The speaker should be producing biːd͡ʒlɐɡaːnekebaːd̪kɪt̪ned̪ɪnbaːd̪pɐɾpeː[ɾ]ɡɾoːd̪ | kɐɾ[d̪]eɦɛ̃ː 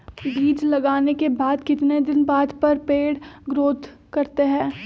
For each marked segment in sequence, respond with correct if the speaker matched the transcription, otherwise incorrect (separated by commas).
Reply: incorrect, incorrect